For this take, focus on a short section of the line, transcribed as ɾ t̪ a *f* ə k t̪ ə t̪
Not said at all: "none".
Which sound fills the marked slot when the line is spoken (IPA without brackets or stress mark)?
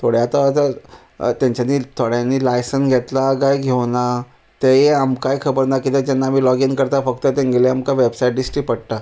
f